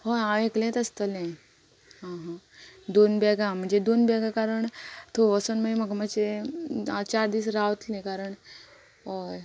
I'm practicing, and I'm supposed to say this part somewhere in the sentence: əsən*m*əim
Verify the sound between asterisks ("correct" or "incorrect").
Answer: correct